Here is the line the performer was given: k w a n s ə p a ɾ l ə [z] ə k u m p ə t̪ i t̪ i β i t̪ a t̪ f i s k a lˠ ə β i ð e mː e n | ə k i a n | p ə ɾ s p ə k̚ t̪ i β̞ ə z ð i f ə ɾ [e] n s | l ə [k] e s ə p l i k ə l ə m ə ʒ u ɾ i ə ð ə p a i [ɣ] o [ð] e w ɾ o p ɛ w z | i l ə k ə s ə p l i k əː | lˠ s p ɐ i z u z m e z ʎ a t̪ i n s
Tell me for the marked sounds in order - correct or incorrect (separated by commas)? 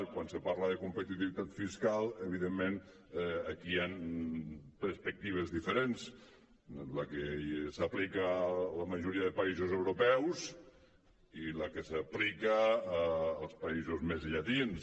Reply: incorrect, correct, correct, incorrect, incorrect